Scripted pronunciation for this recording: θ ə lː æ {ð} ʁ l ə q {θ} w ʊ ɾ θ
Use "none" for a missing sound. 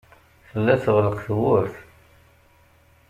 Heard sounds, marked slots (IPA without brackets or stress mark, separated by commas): θ, θ